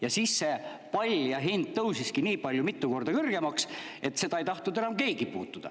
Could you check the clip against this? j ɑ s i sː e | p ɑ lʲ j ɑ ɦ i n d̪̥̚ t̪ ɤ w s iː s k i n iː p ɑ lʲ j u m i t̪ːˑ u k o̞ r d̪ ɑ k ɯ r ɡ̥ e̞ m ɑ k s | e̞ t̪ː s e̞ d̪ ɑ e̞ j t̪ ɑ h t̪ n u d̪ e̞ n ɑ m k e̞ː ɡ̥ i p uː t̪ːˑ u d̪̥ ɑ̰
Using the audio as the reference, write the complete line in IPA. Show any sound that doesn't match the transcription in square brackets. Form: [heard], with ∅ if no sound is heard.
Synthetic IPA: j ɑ s i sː e | p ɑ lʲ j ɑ ɦ i n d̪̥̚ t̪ ɤ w s [i] s k i n iː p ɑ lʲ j u m i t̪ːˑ u k o̞ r d̪ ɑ k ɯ r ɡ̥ e̞ m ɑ k s | e̞ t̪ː s e̞ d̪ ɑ e̞ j t̪ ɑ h t̪ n u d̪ e̞ n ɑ m k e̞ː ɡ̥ i p uː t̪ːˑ u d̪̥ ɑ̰